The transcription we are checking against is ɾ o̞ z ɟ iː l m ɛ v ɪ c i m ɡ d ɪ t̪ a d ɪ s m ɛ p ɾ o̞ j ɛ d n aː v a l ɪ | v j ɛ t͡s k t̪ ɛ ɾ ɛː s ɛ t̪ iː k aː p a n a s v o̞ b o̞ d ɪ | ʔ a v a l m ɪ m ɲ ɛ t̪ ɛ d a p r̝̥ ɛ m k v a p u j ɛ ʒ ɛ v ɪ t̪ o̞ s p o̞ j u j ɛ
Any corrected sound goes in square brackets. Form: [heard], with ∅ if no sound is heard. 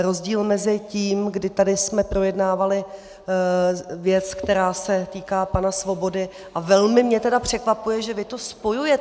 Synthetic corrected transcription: ɾ o̞ z ɟ iː l m ɛ [z] ɪ c [iː] m ɡ d ɪ t̪ a d ɪ s m ɛ p ɾ o̞ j ɛ d n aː v a l ɪ | v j ɛ t͡s k t̪ ɛ ɾ [aː] s ɛ t̪ iː k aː p a n a s v o̞ b o̞ d ɪ | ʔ a v [ɛ] l m ɪ m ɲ ɛ t̪ ɛ d a p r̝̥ ɛ [∅] k v a p u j ɛ ʒ ɛ v ɪ t̪ o̞ s p o̞ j u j ɛ